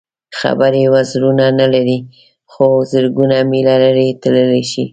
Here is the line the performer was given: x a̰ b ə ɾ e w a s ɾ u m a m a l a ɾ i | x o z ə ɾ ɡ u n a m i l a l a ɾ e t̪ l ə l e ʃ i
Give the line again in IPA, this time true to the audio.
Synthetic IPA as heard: x a̰ b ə ɾ e w a z ɾ u n a n a l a ɾ i | x o z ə ɾ ɡ u n a m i l a l a ɾ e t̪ l ə l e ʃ i